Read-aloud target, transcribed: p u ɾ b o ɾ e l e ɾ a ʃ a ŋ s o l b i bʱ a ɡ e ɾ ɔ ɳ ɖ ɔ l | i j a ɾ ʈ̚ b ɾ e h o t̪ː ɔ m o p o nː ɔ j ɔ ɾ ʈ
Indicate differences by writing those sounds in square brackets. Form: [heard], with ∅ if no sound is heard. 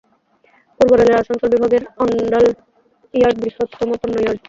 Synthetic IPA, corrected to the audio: p u ɾ b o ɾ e l e ɾ a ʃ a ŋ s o l b i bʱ a ɡ e ɾ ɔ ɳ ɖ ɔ l | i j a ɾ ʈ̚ b ɾ [i] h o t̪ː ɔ m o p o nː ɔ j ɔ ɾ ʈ